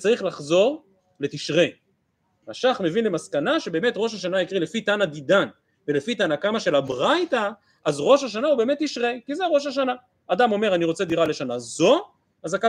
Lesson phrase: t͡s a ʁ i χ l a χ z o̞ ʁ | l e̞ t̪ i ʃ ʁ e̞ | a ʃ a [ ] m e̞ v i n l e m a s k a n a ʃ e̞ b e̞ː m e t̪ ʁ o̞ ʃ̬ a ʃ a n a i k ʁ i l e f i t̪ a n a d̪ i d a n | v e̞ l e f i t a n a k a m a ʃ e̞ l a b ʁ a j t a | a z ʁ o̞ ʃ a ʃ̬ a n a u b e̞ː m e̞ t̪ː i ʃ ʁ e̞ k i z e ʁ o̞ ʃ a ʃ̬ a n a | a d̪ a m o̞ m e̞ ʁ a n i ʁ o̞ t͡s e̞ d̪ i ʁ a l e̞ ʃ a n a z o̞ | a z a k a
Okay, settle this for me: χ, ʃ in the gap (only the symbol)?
χ